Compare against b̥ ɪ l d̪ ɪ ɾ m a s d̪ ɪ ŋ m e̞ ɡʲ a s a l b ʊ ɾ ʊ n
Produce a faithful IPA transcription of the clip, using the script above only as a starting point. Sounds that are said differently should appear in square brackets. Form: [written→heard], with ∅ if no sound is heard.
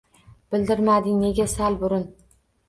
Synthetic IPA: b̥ ɪ l d̪ ɪ ɾ m a [s→∅] d̪ ɪ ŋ [m→n] e̞ ɡʲ a s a l b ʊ ɾ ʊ n